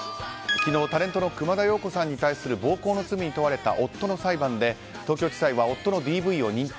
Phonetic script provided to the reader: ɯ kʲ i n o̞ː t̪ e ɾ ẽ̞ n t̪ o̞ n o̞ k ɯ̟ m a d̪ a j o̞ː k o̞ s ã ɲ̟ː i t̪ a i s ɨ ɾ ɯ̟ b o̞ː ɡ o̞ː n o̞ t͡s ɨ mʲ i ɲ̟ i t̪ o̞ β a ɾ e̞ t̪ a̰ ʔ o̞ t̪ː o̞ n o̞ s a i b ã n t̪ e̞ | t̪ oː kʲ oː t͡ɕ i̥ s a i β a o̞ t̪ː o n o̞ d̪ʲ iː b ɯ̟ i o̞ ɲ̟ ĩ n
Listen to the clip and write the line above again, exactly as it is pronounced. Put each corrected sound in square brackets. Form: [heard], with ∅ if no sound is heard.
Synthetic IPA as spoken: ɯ kʲ i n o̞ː t̪ [a] ɾ ẽ̞ n t̪ o̞ n o̞ k ɯ̟ m a d̪ a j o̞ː k o̞ s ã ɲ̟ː i t̪ a i s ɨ ɾ ɯ̟ b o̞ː [k] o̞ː n o̞ t͡s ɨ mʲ i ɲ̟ i t̪ o̞ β a ɾ e̞ t̪ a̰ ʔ o̞ t̪ː o̞ n o̞ s a i b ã n [d̪] e̞ | t̪ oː kʲ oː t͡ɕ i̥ s a i β a o̞ t̪ː o n o̞ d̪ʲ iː b ɯ̟ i o̞ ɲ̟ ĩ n